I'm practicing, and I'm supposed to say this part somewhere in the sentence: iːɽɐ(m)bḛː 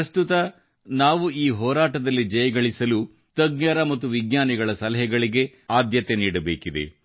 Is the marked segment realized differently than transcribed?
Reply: yes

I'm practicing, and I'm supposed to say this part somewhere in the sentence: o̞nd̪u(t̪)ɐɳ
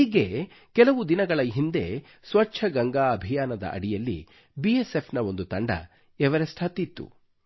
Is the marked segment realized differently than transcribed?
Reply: no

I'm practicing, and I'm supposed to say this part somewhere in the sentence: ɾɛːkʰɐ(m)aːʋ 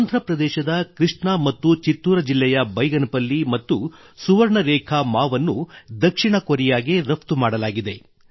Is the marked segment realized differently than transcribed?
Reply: no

